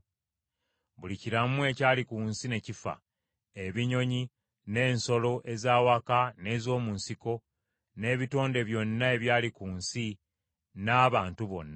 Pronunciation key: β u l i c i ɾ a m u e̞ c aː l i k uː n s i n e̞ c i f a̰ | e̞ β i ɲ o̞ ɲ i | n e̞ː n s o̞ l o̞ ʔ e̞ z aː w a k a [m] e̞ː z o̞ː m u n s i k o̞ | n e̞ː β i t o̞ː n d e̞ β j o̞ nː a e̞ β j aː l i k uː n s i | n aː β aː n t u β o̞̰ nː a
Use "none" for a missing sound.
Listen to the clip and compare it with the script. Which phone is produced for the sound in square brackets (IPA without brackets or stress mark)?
n